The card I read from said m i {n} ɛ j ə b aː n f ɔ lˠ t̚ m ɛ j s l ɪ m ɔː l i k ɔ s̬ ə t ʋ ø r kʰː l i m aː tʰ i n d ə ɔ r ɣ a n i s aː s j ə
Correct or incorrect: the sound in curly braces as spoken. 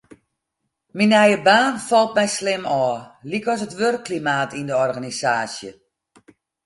correct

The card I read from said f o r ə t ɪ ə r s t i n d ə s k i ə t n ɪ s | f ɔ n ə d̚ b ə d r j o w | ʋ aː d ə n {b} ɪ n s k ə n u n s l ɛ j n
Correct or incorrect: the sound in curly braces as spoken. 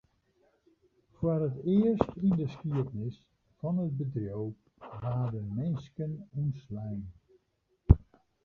incorrect: m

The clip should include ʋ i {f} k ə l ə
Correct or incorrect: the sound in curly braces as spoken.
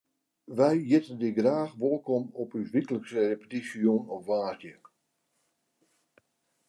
incorrect: none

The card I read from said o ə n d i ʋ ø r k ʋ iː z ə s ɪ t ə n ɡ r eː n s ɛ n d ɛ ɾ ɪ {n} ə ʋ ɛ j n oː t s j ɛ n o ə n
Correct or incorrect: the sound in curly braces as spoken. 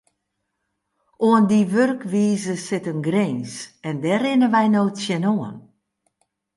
correct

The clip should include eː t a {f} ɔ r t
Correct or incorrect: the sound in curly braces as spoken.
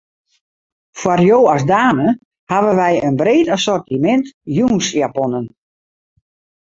incorrect: s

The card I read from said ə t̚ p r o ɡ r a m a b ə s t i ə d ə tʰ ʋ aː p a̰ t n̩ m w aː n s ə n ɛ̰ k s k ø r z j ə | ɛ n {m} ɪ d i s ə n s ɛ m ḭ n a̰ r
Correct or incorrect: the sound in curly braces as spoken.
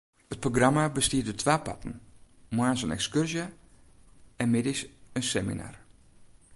correct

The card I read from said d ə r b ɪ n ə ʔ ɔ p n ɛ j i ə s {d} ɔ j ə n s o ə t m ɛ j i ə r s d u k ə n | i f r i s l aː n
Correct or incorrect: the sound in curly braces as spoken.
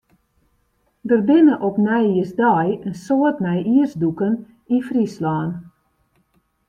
correct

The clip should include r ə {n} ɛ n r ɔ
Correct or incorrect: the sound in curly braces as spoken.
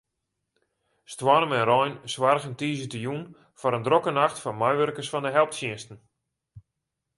incorrect: m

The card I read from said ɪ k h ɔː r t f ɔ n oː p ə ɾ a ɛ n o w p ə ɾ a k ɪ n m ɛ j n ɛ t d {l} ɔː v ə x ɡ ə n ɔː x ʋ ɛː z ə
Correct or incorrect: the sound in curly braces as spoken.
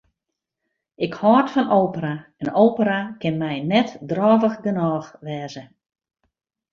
incorrect: r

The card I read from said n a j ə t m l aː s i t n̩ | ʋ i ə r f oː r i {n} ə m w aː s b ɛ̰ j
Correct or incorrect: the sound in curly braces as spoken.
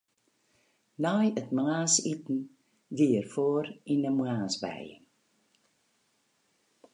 correct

